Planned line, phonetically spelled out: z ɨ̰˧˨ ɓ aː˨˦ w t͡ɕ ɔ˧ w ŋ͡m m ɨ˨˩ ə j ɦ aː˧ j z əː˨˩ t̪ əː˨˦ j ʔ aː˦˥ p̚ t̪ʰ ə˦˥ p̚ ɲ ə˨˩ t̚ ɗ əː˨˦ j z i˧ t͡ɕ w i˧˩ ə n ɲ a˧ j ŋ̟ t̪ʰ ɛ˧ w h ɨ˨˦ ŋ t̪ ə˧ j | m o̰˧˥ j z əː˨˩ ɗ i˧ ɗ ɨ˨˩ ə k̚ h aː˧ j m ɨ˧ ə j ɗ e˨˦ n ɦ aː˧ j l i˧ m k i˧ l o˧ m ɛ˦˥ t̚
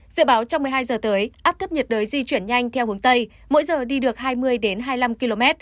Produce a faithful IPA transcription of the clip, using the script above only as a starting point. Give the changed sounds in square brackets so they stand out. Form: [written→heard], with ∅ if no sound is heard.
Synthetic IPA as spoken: z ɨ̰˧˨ ɓ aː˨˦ w t͡ɕ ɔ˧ w ŋ͡m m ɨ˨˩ ə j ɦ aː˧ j z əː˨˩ t̪ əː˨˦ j ʔ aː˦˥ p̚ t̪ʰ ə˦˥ p̚ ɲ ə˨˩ t̚ ɗ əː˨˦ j z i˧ t͡ɕ w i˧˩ ə n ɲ a˧ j ŋ̟ t̪ʰ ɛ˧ w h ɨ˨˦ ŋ t̪ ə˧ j | m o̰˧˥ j z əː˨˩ ɗ i˧ ɗ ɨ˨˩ ə k̚ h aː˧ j m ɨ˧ ə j ɗ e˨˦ n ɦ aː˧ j l [i˧→a˧] m k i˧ l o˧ m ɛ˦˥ t̚